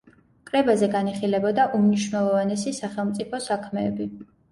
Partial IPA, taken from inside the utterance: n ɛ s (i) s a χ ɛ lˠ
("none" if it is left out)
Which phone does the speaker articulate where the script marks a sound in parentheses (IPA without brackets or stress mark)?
i